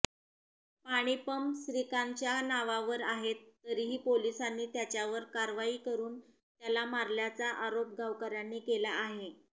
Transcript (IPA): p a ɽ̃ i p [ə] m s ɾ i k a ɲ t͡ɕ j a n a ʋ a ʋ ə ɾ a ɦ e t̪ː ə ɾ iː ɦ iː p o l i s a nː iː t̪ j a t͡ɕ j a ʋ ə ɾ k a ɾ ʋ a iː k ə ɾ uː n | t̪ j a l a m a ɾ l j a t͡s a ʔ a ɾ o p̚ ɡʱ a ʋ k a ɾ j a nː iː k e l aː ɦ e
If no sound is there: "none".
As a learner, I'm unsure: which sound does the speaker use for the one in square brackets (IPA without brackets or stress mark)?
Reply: ə